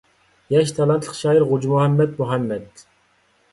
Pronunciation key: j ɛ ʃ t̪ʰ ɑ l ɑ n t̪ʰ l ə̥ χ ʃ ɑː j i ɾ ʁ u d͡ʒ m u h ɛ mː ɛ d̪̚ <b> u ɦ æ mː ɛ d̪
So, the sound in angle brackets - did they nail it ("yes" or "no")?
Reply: no